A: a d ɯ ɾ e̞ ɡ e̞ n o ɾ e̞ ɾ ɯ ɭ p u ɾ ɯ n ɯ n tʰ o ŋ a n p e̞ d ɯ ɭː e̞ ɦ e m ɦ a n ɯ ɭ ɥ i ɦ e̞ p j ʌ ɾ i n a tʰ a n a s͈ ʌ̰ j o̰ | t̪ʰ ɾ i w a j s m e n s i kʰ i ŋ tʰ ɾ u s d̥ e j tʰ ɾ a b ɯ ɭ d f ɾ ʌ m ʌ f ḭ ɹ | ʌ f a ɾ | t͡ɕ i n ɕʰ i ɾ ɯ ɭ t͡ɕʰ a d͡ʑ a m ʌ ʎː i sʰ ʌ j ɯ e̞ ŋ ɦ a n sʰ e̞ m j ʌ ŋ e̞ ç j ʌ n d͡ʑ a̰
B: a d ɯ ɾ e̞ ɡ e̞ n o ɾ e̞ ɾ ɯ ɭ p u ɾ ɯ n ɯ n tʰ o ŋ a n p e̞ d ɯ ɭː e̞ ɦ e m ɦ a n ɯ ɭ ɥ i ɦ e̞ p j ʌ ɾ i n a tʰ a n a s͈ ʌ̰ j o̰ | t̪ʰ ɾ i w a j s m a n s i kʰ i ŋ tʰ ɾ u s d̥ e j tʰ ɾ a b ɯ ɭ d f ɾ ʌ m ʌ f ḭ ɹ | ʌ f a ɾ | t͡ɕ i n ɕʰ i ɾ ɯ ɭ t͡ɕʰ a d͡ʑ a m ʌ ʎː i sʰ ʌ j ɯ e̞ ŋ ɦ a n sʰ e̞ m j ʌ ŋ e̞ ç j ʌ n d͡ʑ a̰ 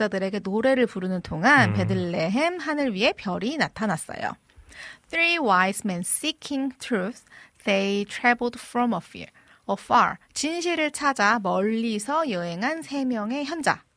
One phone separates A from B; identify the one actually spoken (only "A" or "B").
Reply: A